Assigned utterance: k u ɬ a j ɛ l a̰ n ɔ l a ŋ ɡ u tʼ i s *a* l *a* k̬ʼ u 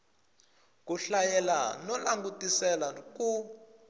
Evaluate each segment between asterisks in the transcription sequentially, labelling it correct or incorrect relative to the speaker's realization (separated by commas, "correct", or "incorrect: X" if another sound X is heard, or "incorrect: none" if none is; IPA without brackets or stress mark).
incorrect: ɛ, correct